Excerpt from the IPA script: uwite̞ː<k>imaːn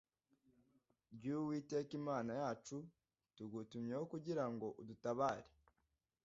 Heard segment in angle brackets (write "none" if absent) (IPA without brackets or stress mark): k